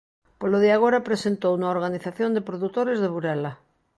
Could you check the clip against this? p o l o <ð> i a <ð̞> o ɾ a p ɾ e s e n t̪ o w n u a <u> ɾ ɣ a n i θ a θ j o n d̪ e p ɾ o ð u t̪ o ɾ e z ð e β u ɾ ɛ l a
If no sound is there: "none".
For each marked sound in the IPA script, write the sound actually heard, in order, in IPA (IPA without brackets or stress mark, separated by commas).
ð, ɣ̞, o